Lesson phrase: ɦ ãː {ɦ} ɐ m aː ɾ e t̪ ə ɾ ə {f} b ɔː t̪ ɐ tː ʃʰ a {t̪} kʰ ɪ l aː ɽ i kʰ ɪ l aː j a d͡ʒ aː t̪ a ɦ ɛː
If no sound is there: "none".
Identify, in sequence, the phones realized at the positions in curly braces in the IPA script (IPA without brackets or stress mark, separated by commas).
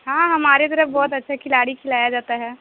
ɦ, f, none